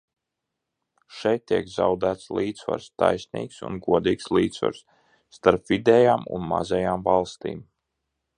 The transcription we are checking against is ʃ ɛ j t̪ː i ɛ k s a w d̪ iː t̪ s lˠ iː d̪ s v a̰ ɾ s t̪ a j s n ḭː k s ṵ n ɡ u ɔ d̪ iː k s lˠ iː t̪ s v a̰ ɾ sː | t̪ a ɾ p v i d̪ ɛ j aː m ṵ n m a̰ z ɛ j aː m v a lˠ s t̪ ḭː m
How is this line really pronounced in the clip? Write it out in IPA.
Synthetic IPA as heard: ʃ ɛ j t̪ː i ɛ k z a w d̪ æː t̪ s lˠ iː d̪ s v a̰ ɾ s t̪ a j s n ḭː k s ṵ n ɡ u ɔ d̪ iː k s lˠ iː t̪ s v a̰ ɾ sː | t̪ a ɾ p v i d̪ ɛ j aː m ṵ n m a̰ z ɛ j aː m v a lˠ s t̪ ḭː m